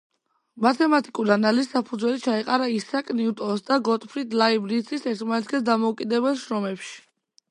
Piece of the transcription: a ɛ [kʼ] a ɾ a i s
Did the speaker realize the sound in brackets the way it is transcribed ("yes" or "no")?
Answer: no